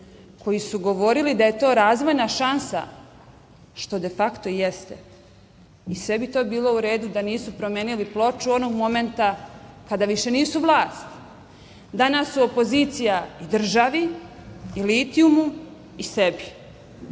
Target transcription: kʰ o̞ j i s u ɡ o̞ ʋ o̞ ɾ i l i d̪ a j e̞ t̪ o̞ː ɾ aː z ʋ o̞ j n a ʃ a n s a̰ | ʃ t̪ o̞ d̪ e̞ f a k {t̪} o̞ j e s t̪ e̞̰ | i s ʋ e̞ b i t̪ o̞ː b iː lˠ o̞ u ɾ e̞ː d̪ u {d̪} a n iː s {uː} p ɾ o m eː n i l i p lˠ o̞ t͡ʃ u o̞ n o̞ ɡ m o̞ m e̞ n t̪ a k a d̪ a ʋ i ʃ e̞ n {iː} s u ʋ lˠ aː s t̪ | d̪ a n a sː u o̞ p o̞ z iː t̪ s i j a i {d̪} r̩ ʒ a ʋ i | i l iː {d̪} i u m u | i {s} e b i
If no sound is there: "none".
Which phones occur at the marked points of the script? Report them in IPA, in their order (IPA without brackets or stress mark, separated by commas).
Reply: t̪, d̪, u, iː, d̪, t̪, s